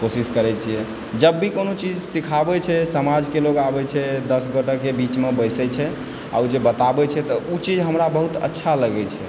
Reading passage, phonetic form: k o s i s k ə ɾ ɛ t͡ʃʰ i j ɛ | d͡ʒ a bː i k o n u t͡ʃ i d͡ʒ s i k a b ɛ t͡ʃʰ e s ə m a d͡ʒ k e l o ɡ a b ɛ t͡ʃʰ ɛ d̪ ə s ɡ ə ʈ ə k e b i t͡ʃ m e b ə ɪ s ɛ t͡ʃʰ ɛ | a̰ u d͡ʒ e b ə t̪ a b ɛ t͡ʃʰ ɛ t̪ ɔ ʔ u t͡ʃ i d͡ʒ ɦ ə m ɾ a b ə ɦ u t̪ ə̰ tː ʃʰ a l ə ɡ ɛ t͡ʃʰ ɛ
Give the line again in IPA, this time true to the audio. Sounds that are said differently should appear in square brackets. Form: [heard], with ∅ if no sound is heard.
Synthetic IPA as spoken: k o s i s k ə ɾ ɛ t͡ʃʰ i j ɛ | d͡ʒ [ə] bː i k o n [o] t͡ʃ i d͡ʒ s i [kʰ] a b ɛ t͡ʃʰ [ɛ] s ə m a d͡ʒ k e l o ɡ a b ɛ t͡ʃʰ ɛ d̪ ə s ɡ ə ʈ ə k e b i t͡ʃ m e b ə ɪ s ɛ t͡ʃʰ ɛ | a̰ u d͡ʒ e b ə t̪ a b ɛ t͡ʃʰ ɛ t̪ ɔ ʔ u t͡ʃ i d͡ʒ ɦ ə m ɾ a b ə ɦ u t̪ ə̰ tː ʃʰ a l ə ɡ ɛ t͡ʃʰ ɛ